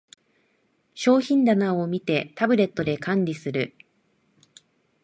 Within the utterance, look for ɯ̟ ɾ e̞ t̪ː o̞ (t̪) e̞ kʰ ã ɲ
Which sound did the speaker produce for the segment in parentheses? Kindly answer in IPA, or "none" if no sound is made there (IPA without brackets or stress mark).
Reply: d̪